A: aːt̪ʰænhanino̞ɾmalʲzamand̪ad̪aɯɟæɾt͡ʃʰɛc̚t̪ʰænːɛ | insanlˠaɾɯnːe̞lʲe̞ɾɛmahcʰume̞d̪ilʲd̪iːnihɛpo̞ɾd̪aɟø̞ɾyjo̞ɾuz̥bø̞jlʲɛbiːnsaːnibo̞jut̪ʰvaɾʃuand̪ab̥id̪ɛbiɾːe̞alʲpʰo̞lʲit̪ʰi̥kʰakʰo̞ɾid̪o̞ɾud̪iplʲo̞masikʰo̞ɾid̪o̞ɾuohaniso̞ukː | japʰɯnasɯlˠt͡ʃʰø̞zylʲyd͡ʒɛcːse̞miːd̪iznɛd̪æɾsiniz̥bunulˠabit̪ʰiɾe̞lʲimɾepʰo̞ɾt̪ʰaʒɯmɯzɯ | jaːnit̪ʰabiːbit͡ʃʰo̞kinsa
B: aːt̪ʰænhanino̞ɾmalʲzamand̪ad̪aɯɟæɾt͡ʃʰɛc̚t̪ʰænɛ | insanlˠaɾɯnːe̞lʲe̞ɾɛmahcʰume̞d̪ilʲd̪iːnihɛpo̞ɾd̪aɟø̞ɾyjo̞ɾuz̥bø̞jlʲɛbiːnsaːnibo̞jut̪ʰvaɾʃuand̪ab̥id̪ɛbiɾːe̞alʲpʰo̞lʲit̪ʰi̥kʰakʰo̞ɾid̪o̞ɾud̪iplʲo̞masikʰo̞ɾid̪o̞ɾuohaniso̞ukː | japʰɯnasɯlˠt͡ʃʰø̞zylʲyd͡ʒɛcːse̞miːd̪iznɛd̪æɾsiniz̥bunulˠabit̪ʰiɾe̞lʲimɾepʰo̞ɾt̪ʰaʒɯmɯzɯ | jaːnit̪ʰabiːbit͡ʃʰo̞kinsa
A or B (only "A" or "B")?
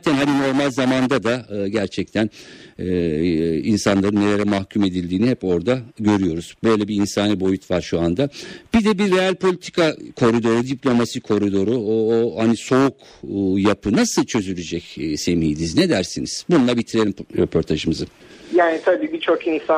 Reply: B